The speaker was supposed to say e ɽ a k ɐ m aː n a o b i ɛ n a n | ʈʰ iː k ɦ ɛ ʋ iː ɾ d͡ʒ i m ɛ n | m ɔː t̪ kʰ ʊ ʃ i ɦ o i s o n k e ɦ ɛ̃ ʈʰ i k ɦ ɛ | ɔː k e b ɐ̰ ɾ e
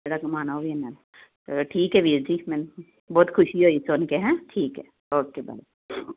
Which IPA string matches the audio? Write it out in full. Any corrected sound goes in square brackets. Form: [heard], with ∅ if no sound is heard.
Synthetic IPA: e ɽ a k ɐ m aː n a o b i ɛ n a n | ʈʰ iː k ɦ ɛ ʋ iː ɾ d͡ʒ i m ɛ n | [b] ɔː t̪ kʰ ʊ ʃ i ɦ o i s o n k e ɦ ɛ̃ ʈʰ [iː] k ɦ ɛ | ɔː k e b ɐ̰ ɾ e